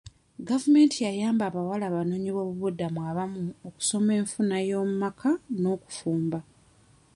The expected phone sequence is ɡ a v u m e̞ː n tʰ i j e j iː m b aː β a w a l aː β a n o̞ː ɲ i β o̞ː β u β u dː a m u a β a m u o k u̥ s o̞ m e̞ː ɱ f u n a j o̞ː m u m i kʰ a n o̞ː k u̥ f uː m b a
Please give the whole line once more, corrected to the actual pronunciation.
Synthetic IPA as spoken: ɡ a v u m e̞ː n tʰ i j a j aː m b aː β a w a l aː β a n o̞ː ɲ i β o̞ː β u β u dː a m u a β a m u o k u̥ s o̞ m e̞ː ɱ f u n a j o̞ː m u m a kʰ a n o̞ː k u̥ f uː m b a